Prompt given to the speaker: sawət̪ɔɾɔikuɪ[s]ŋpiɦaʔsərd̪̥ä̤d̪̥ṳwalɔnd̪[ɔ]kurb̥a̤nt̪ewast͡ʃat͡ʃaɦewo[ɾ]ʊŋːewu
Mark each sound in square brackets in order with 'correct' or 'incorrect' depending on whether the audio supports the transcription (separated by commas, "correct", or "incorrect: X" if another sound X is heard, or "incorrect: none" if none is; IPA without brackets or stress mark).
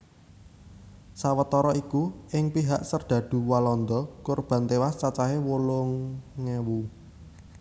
incorrect: none, correct, incorrect: l